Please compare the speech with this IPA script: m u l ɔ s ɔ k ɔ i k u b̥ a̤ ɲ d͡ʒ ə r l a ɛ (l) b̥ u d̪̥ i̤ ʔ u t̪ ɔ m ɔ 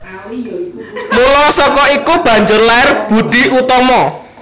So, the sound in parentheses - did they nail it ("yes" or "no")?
no